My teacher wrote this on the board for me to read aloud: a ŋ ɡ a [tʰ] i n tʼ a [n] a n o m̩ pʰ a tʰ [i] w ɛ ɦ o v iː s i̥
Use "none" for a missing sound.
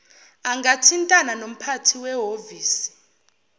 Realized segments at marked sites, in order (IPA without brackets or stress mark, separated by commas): tʰ, n, i